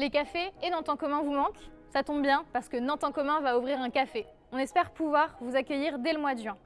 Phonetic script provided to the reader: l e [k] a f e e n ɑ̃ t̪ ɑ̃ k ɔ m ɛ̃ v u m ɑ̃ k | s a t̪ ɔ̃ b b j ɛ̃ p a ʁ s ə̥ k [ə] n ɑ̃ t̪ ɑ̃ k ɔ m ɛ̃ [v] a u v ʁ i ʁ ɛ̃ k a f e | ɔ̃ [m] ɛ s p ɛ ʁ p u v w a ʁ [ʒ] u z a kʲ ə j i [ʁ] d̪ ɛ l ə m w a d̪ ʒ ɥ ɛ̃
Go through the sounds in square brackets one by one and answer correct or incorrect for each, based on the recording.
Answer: correct, correct, correct, incorrect, incorrect, correct

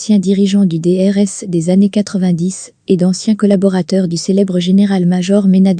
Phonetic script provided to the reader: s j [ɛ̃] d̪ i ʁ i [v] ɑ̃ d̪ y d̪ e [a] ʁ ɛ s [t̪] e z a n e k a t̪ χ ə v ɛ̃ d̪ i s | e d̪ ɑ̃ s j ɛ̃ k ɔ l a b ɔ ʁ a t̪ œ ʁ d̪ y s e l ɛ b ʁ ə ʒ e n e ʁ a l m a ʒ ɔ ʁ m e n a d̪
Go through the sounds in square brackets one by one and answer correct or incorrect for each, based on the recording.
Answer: correct, incorrect, incorrect, incorrect

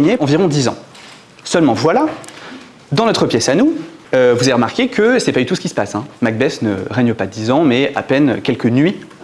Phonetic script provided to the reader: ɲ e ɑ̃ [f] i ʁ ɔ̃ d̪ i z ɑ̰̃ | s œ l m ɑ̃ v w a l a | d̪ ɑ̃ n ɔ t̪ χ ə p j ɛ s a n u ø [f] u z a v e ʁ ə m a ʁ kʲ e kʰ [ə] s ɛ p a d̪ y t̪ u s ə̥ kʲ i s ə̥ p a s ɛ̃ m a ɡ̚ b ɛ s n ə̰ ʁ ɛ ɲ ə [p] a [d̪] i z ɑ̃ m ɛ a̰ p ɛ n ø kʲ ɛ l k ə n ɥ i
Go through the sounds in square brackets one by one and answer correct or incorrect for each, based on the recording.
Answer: incorrect, incorrect, correct, correct, correct

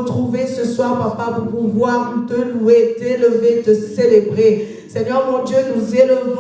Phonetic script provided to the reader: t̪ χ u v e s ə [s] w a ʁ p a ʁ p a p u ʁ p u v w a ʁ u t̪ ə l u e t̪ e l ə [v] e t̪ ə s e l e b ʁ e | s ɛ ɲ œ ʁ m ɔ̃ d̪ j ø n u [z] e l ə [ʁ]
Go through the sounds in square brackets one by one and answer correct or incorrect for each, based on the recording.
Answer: correct, correct, correct, incorrect

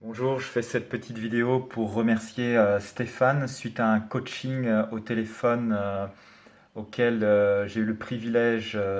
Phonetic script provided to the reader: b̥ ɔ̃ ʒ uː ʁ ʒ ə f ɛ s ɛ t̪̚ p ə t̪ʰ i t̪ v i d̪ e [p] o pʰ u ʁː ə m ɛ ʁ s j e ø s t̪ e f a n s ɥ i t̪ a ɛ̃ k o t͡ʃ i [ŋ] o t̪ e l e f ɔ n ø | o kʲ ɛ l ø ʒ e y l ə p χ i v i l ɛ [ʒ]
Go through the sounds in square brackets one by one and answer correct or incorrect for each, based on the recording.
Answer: incorrect, correct, correct

